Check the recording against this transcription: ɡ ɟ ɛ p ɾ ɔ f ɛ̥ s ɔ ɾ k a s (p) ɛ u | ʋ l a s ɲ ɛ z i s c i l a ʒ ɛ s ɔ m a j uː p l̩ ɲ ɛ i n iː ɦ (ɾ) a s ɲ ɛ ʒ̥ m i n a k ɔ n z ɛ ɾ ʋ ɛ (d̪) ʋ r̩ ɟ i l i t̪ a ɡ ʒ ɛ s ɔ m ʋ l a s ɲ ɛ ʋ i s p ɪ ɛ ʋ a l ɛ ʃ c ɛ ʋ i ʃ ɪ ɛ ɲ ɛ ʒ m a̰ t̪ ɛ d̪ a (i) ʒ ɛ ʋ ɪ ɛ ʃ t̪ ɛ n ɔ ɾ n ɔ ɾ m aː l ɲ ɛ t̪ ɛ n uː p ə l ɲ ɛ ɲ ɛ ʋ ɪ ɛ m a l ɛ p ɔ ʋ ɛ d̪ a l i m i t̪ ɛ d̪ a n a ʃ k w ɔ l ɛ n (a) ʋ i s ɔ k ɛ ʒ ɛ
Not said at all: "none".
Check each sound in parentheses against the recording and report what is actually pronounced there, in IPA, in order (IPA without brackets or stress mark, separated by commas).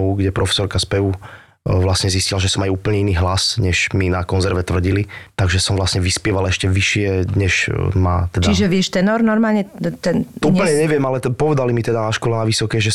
p, l, t̪, i, a